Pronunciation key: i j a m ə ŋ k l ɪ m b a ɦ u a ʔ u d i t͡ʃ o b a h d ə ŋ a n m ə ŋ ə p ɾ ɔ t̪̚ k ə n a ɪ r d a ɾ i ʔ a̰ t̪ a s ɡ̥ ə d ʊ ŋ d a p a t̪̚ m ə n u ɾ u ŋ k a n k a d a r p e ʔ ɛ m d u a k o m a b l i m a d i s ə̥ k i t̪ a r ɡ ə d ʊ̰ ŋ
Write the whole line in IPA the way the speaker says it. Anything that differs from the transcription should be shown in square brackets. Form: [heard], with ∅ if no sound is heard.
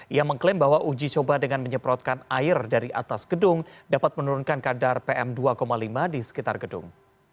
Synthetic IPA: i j a m ə ŋ k l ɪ m b a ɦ [w] a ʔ u [d͡ʒ] i t͡ʃ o b a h d ə ŋ a n m ə [ɲ] ə p ɾ ɔ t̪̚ k [a] n a ɪ r d a ɾ i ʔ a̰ t̪ a s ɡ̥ ə d ʊ ŋ d a p a t̪̚ m ə n u ɾ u [n] k a n k a d a r p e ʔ ɛ m d u a k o m a [∅] l i m a d i s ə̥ k i t̪ a r ɡ ə d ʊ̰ ŋ